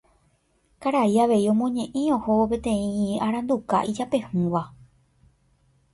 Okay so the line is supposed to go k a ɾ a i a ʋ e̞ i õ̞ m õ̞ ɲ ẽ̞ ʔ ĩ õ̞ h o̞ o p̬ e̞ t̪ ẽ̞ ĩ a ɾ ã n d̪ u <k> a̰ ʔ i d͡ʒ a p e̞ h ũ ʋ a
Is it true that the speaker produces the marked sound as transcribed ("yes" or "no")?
yes